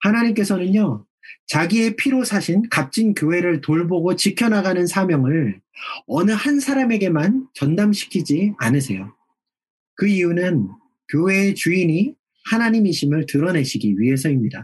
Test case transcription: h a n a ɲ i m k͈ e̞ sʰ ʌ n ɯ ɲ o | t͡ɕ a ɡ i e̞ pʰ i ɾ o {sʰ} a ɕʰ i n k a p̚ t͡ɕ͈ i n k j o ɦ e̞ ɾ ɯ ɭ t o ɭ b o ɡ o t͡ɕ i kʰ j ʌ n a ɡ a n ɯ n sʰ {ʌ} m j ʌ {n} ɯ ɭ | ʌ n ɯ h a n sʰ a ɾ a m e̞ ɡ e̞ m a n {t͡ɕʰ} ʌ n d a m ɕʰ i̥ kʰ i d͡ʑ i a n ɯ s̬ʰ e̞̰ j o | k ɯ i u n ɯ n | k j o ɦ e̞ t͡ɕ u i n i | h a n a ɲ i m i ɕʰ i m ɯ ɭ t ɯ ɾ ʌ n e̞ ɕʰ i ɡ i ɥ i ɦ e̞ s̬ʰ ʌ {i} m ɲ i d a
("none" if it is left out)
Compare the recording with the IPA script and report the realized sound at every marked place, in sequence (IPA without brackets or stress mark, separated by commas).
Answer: sʰ, a, ŋ, t͡ɕ, i